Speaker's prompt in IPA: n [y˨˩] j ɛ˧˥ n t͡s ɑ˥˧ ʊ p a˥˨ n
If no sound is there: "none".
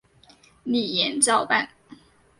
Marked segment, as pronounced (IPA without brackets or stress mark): i˨˩